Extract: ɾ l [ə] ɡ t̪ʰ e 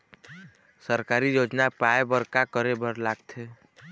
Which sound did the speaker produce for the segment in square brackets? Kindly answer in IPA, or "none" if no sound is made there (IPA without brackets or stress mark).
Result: a